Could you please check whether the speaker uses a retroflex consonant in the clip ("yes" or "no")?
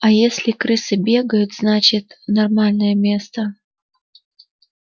no